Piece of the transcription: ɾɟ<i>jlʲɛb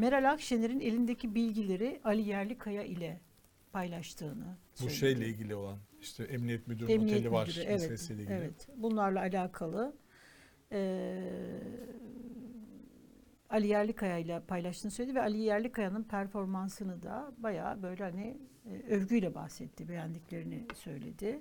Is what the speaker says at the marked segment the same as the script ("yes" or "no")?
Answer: no